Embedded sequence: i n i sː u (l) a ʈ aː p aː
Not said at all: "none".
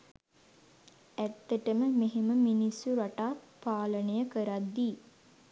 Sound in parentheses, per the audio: ɾ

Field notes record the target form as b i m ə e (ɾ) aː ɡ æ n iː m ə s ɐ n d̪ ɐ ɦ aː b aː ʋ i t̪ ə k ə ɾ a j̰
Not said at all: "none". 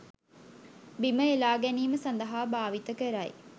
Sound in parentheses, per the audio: l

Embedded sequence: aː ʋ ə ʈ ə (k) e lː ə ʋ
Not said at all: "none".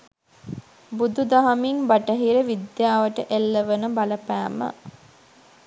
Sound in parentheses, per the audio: ʔ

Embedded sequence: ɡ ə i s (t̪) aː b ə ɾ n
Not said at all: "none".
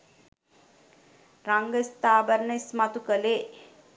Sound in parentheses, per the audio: t̪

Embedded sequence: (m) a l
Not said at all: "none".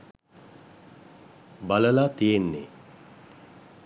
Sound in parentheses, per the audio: b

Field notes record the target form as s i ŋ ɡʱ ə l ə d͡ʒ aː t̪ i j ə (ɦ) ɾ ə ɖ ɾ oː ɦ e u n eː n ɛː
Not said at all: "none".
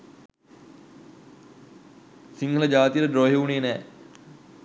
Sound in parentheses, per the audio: none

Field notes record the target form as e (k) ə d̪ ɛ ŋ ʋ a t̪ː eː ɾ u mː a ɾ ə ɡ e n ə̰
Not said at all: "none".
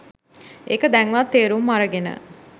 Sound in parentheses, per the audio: k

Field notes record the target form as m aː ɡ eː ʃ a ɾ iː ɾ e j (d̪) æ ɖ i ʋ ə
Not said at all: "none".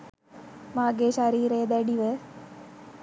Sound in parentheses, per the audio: d̪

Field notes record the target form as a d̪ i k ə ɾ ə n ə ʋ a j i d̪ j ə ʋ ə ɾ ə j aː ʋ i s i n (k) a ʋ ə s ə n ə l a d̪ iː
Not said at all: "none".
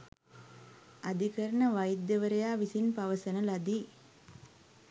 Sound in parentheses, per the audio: p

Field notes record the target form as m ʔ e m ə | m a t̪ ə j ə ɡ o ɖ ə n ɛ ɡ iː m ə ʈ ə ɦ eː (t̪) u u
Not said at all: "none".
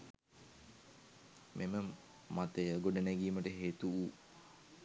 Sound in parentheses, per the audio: t̪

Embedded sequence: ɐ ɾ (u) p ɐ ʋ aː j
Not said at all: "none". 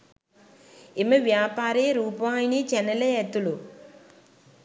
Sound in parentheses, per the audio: uː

